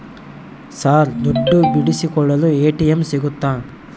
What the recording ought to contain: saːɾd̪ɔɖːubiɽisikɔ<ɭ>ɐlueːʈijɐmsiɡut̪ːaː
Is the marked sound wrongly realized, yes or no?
yes